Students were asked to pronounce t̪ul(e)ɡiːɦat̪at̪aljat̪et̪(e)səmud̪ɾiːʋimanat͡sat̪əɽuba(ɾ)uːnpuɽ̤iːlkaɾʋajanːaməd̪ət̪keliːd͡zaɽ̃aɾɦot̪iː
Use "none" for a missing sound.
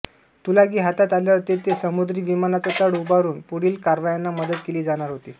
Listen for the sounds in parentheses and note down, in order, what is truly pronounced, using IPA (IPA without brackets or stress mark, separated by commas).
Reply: a, e, ɾ